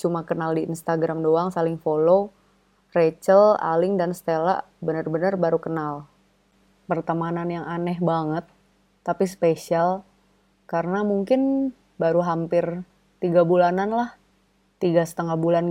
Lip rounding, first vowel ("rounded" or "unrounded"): rounded